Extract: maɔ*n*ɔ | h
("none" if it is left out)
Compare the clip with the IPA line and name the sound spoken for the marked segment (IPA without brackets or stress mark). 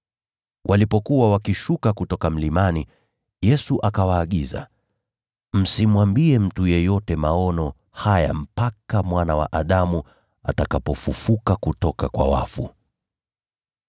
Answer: n